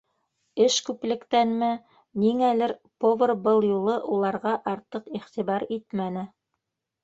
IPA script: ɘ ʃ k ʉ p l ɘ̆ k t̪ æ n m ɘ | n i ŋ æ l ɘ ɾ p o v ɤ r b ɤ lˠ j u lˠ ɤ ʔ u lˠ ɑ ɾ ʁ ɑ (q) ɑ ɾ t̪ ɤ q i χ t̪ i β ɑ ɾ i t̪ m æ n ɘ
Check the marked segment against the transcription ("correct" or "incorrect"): incorrect